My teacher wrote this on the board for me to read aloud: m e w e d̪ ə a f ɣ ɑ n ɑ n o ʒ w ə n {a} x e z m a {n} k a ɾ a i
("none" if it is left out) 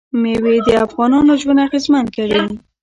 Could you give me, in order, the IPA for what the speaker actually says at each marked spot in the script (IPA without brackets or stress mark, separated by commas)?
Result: a, n